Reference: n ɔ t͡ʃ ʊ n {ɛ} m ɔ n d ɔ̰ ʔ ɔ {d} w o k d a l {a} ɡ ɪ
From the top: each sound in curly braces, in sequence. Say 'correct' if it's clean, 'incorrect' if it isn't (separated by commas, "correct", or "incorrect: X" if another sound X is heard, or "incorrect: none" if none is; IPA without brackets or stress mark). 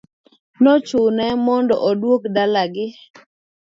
correct, correct, correct